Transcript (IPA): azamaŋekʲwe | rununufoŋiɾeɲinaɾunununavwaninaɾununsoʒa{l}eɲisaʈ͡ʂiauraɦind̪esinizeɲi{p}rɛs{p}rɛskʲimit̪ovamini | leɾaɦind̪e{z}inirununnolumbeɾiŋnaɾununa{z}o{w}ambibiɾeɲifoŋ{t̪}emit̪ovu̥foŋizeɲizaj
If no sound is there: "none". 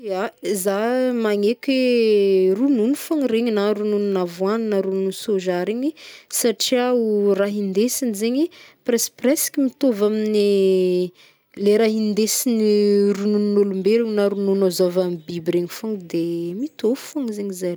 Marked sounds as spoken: ɾ, p, p, s, z, v, d̪

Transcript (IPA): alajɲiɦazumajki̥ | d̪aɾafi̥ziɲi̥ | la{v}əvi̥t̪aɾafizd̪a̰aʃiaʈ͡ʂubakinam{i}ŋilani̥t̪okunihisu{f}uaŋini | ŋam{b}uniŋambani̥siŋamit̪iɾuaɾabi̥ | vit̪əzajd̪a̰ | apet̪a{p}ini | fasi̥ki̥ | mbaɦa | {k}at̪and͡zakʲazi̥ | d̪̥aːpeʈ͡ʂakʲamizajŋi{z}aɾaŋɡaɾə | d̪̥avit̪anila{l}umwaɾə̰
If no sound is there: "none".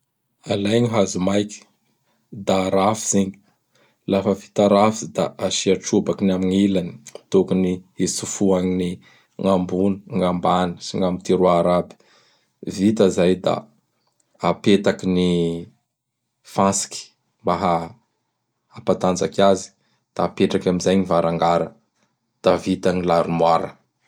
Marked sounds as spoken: f, i, f, b, k, p, v, ɾ

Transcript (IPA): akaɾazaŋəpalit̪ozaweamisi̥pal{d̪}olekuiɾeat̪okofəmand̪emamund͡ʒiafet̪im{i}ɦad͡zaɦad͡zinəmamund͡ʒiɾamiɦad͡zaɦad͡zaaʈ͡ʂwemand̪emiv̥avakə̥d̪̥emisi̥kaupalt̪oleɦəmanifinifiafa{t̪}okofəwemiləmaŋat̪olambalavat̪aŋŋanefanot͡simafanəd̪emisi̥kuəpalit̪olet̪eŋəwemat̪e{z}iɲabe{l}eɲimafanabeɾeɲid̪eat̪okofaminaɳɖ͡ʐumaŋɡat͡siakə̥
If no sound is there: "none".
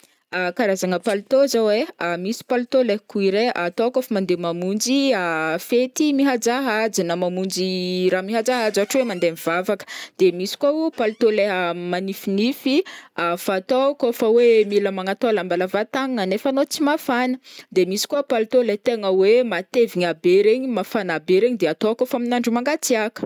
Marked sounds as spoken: t̪, i, t̪, v, ɾ

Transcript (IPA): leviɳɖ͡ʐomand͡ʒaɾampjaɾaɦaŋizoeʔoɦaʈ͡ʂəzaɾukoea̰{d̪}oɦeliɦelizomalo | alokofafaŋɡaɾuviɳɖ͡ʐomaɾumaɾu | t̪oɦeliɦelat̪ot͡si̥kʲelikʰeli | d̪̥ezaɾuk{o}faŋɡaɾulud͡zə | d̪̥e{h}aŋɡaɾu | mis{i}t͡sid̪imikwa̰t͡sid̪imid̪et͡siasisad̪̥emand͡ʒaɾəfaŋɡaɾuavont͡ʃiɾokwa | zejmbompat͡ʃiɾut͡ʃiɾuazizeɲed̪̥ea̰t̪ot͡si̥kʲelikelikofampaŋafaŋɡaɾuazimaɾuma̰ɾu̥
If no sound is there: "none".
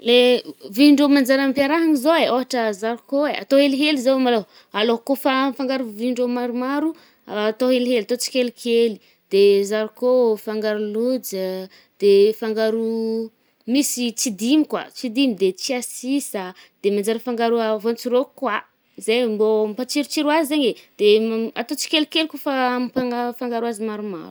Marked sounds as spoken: t̪, o, f, i

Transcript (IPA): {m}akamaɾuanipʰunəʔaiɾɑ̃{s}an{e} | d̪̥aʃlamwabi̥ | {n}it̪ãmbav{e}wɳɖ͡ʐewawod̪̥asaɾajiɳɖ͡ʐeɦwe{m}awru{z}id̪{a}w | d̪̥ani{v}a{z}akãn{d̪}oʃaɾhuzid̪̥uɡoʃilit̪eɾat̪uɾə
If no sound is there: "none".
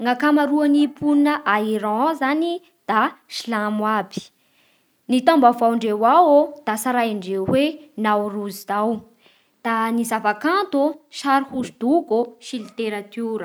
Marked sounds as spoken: ŋ, z, i, n, a, n, z, a, z, v, t̪

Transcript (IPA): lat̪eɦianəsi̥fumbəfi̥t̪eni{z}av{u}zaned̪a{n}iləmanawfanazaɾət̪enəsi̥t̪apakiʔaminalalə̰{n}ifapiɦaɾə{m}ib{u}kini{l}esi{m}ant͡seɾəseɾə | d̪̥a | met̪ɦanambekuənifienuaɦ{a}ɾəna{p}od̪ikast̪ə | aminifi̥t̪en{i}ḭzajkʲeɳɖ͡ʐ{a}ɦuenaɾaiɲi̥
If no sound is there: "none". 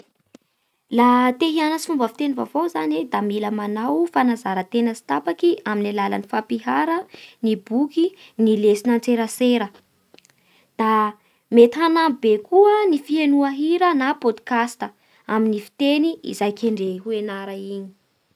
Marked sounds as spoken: v, o, m, n, n, u, l, n, i, p, i, e

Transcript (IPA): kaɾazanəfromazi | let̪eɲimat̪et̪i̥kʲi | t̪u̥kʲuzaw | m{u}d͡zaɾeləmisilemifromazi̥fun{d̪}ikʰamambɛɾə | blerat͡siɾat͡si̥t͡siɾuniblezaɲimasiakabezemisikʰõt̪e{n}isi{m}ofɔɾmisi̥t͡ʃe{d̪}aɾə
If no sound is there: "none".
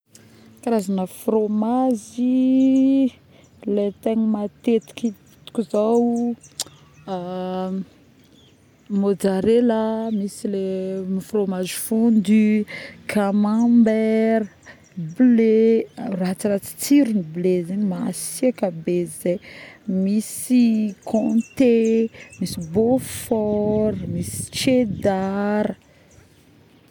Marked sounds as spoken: o, d̪, m, b, d̪

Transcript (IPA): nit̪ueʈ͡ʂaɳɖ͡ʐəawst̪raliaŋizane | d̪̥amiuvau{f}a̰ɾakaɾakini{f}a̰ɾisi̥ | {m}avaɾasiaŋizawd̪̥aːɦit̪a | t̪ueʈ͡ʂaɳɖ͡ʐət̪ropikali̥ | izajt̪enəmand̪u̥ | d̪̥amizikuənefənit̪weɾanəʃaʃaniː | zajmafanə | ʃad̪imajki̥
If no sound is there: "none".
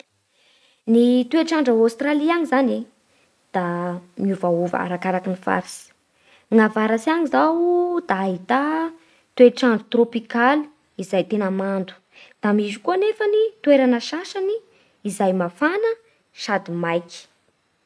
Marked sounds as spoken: v, f, ŋ

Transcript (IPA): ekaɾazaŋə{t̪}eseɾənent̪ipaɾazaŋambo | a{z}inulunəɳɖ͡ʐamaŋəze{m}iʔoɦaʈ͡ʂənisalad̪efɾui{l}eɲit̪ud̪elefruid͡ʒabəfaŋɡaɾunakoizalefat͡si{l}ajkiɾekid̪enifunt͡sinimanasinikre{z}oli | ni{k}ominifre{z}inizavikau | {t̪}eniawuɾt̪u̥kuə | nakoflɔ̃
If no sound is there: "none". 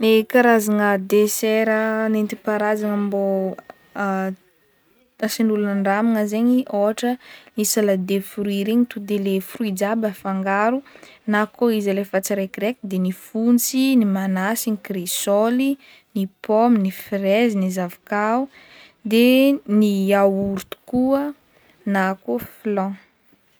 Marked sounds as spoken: d̪, s, ɲ, ɾ, ɾ, s, p, z, d̪

